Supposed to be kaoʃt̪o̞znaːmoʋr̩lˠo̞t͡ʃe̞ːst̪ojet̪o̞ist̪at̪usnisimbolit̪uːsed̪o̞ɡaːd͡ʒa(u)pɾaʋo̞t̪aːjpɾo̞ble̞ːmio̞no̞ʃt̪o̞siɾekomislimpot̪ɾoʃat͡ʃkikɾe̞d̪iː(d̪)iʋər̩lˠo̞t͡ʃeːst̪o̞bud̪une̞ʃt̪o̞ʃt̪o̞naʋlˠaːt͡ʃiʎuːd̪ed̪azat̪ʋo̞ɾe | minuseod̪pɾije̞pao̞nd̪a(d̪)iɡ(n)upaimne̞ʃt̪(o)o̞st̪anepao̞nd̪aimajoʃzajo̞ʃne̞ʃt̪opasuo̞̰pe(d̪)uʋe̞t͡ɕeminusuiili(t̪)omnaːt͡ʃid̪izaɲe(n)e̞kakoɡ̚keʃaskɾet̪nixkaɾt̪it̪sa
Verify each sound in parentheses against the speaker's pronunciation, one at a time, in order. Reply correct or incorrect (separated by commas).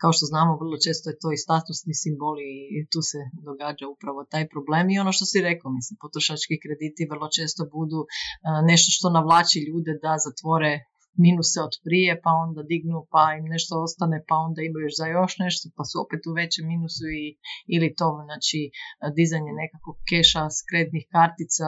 correct, incorrect, correct, correct, correct, incorrect, correct, correct